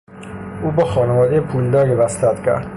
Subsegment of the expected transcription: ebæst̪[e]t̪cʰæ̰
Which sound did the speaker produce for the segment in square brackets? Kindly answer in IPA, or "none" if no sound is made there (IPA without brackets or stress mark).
æ